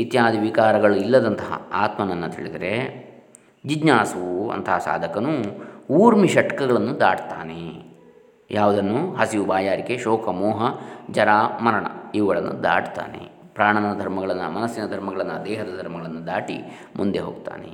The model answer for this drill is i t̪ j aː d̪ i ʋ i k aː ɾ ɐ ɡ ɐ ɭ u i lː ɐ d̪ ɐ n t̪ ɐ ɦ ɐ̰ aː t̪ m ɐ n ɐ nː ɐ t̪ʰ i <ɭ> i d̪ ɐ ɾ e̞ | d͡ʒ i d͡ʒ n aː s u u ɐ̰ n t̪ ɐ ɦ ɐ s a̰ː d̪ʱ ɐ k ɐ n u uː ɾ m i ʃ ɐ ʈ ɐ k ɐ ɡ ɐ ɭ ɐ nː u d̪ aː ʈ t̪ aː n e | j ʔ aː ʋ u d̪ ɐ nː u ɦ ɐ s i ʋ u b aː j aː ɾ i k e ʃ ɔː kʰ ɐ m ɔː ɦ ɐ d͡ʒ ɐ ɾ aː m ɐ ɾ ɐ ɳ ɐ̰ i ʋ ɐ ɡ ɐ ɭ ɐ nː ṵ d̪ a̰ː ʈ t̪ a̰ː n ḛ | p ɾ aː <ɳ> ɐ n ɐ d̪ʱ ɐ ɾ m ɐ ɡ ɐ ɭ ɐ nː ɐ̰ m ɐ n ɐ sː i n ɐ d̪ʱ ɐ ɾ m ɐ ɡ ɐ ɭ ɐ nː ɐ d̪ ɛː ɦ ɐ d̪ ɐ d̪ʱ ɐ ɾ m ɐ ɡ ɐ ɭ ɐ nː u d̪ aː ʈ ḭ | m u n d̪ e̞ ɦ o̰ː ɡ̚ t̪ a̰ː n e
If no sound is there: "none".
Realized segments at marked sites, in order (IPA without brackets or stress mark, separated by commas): ɭ, ɳ